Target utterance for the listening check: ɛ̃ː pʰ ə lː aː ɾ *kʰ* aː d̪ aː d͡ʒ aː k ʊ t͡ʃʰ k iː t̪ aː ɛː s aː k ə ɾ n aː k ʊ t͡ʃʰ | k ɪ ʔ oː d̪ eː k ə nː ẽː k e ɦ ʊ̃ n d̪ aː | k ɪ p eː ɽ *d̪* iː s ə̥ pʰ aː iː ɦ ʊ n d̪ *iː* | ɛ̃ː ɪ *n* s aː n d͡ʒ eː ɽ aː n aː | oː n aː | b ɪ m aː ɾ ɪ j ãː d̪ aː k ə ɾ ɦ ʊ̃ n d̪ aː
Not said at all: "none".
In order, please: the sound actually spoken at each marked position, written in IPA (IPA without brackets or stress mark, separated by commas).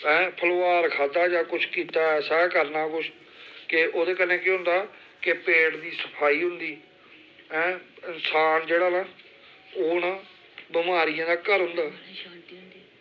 kʰ, d̪, iː, n